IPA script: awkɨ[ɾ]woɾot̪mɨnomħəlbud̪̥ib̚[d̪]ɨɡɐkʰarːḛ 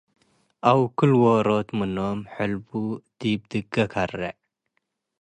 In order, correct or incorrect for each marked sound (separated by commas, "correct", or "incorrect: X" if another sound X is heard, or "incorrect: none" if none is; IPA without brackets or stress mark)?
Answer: incorrect: l, correct